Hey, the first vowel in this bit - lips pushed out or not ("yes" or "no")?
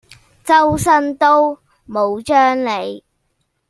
no